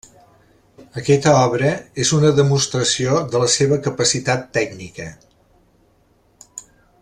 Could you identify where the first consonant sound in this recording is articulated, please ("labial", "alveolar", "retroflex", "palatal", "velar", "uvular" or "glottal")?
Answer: velar